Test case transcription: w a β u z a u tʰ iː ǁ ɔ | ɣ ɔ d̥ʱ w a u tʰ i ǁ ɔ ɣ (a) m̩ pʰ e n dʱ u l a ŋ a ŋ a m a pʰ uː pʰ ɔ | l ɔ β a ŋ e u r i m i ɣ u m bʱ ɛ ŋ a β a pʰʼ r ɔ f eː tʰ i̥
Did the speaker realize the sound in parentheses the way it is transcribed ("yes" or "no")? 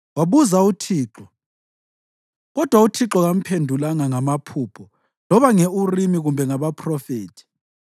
yes